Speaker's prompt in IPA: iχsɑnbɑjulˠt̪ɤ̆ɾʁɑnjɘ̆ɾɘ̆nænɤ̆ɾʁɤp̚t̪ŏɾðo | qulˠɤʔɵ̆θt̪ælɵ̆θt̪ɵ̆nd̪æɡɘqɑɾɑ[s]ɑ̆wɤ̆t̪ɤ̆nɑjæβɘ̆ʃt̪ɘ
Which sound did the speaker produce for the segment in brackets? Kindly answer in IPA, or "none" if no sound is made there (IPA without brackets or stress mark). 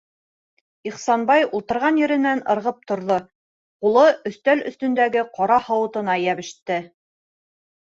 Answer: h